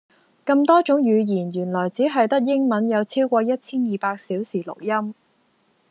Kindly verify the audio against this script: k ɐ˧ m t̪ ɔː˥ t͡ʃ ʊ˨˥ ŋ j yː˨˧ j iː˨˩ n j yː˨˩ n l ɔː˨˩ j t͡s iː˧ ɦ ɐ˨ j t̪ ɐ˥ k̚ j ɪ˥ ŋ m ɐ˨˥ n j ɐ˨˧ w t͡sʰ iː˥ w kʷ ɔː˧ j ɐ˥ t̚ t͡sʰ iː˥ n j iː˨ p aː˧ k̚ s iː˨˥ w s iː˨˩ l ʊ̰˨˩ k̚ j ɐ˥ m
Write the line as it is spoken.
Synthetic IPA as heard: k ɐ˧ m t̪ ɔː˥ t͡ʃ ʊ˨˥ ŋ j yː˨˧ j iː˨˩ n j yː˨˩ n l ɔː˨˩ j t͡s iː˨˥ ɦ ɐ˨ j t̪ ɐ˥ k̚ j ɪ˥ ŋ m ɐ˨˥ n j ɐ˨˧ w t͡sʰ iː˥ w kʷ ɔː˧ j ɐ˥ t̚ t͡sʰ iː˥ n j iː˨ p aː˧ k̚ s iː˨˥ w s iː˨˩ l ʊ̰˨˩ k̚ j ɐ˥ m